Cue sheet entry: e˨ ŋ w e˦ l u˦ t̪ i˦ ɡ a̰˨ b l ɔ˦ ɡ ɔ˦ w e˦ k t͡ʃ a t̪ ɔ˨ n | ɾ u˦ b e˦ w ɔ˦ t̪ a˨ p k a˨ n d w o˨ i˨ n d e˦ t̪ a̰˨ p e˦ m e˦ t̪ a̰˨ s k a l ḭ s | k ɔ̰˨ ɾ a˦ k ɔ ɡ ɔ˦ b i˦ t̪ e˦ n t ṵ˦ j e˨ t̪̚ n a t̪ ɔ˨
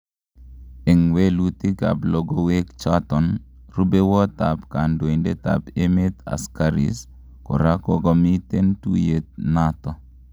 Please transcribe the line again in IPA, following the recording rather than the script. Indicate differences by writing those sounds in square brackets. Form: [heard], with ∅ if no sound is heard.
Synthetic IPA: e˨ ŋ w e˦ l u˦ t̪ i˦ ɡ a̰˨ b l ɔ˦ ɡ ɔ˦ w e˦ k t͡ʃ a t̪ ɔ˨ n | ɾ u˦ b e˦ w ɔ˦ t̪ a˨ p k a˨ n d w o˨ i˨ n d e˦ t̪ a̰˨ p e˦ m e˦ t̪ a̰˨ s k a [ɾ] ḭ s | k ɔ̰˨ ɾ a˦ k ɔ ɡ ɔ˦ [m] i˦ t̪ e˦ n t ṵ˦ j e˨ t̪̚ n a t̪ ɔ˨